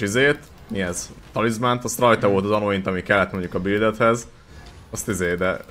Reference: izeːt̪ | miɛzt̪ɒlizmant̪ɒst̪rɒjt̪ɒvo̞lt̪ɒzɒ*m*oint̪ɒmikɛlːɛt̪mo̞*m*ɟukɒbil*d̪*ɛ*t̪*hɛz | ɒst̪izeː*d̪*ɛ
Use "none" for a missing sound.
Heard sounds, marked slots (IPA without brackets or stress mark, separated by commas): n, ɲ, d̪, t̪, d̪